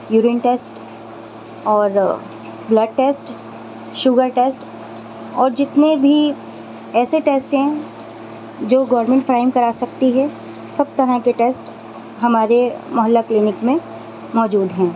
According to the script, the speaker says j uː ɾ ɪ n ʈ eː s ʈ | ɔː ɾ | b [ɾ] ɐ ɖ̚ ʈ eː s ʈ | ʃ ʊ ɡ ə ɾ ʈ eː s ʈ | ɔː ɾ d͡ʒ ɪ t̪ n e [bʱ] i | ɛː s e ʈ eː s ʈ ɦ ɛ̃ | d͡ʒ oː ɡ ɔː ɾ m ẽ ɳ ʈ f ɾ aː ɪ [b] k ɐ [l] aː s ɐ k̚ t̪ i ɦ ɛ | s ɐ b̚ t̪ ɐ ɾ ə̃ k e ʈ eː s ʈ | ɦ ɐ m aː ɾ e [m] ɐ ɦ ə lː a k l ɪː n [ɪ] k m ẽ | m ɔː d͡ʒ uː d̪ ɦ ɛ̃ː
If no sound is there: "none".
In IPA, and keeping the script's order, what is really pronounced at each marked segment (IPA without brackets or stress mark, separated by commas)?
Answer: l, bʱ, m, ɾ, m, ɪ